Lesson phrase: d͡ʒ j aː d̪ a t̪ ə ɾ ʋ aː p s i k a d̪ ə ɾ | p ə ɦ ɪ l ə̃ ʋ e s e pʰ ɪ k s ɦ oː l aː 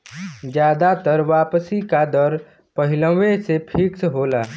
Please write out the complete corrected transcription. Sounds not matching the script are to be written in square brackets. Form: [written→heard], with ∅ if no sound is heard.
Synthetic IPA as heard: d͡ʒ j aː d̪ a t̪ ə ɾ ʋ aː p s i k a d̪ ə ɾ | p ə ɦ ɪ l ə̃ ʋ e s e pʰ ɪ k s ɦ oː l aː